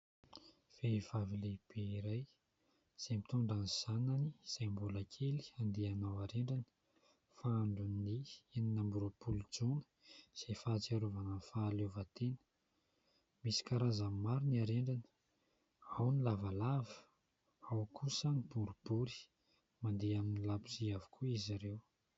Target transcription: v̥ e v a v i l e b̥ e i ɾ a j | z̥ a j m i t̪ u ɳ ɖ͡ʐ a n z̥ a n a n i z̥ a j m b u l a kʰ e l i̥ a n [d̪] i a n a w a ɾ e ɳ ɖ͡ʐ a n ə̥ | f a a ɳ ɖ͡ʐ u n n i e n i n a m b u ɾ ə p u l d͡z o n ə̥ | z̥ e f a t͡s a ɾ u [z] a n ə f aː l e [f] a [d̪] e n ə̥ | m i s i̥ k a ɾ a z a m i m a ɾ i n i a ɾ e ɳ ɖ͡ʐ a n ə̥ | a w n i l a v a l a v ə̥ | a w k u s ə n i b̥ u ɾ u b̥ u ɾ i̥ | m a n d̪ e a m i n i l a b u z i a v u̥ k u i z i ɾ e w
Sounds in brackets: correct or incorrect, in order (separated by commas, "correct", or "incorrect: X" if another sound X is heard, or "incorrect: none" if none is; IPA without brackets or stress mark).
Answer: correct, incorrect: v, incorrect: v, incorrect: t̪